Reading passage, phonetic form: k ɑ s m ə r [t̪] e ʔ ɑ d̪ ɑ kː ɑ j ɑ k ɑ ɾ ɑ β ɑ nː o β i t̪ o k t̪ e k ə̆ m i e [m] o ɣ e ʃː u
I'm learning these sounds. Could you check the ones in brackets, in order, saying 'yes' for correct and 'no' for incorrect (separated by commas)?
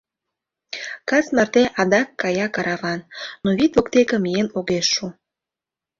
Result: yes, no